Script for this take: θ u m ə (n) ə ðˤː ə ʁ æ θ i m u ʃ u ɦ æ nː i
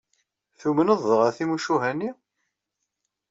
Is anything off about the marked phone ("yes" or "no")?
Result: no